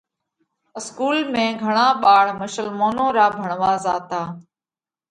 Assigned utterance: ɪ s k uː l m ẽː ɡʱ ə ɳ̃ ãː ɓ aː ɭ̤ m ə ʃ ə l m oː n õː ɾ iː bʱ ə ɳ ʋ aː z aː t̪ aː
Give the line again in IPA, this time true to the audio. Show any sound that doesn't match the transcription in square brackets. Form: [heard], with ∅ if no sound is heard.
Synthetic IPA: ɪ s k uː l m ẽː ɡʱ ə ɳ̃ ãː ɓ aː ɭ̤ m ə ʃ ə l m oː n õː ɾ [aː] bʱ ə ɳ ʋ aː z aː t̪ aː

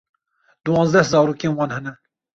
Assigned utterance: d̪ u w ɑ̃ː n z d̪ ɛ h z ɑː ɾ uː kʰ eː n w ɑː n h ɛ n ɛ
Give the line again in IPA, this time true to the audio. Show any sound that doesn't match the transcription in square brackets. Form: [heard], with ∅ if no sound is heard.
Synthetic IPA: d̪ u w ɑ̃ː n z d̪ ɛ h z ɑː ɾ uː [k] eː n w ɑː n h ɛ n ɛ

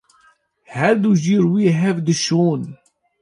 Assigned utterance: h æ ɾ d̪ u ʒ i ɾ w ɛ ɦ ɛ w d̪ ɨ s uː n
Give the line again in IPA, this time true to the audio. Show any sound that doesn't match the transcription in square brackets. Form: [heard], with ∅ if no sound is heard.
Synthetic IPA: h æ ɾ d̪ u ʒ i ɾ w [i] ɦ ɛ [v] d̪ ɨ [ʃ] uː n

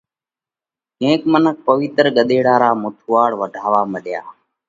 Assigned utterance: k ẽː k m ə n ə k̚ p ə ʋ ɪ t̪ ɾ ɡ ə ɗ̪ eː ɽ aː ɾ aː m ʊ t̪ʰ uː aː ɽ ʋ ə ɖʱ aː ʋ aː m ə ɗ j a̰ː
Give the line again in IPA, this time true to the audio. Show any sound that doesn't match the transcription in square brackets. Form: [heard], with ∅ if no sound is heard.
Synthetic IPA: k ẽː k m ə n ə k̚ p ə ʋ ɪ t̪ ɾ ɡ ə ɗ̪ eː ɽ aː ɾ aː m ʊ t̪ʰ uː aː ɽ ʋ ə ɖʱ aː ʋ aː m ə ɗ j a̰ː

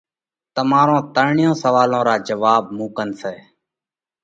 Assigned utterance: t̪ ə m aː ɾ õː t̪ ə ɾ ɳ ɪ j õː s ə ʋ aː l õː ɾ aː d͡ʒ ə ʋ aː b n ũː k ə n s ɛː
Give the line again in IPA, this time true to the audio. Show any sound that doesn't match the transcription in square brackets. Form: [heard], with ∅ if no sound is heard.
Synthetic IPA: t̪ ə m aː ɾ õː t̪ ə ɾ ɳ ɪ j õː s ə ʋ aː l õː ɾ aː d͡ʒ ə ʋ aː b [m] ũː k ə n s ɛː

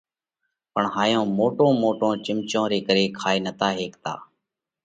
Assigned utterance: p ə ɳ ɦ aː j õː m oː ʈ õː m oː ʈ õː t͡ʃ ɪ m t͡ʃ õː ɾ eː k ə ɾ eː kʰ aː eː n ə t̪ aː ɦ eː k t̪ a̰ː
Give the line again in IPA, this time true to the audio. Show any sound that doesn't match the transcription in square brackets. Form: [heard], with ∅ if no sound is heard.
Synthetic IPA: p ə ɳ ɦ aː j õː m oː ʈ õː m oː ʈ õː t͡ʃ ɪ m t͡ʃ õː ɾ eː k ə ɾ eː kʰ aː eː n ə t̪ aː ɦ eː k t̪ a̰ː

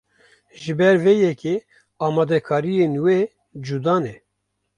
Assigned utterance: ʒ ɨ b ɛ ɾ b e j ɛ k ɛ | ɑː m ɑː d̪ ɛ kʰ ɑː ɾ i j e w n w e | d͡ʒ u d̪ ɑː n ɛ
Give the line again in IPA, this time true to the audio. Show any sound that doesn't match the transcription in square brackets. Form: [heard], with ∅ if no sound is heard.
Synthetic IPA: ʒ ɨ b ɛ ɾ [v] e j ɛ k [e] | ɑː m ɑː d̪ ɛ kʰ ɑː ɾ i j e [∅] n w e | d͡ʒ u d̪ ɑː n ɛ

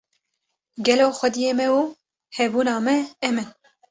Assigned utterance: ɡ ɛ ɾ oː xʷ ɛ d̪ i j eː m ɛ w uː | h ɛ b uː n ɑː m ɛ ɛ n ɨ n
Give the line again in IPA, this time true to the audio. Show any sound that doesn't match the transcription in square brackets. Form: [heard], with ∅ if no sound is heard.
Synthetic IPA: ɡ ɛ [l] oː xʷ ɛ d̪ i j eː m ɛ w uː | h ɛ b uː n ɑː m ɛ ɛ [m] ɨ n

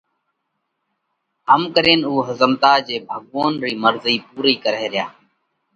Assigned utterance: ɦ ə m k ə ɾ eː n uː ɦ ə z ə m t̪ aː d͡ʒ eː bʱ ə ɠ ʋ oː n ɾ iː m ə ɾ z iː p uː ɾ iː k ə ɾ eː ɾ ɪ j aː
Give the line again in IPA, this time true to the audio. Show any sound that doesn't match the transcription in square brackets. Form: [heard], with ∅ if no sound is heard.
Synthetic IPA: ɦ ə m k ə ɾ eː n uː ɦ ə z ə m t̪ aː d͡ʒ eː bʱ ə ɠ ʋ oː n ɾ iː m ə ɾ z iː p uː ɾ iː k ə ɾ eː ɾ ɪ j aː

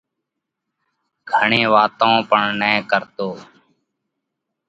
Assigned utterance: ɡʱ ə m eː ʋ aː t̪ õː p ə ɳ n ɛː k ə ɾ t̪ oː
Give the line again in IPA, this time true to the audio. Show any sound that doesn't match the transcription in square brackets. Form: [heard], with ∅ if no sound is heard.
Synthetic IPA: ɡʱ ə [ɳ] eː ʋ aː t̪ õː p ə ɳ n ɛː k ə ɾ t̪ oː

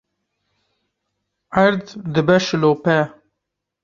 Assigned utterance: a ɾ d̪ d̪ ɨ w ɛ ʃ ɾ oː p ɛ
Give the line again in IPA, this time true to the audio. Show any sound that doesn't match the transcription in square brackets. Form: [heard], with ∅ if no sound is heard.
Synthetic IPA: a ɾ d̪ d̪ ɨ [b] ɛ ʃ [l] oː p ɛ

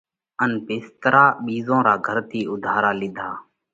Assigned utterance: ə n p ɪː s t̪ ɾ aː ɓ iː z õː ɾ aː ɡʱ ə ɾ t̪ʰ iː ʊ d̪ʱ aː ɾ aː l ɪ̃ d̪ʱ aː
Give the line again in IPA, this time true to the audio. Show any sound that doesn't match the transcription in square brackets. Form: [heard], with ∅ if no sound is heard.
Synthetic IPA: ə n p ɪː s t̪ ɾ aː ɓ iː z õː ɾ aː ɡʱ ə ɾ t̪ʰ iː ʊ d̪ʱ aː ɾ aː l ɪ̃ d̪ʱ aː

